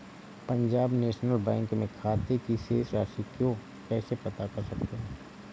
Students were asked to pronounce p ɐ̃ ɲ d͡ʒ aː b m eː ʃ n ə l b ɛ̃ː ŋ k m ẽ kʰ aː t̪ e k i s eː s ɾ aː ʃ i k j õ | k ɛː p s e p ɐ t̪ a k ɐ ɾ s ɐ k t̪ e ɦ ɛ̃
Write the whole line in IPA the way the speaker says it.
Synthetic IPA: p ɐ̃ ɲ d͡ʒ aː b n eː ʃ n ə l b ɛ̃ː ŋ k m ẽ kʰ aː t̪ e k i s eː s ɾ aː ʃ i k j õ | k ɛː s e p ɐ t̪ a k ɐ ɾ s ɐ k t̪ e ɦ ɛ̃